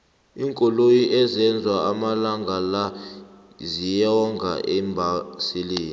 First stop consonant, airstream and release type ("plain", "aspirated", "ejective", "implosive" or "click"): ejective